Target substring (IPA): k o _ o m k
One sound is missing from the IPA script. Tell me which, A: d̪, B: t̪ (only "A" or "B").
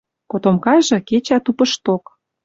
B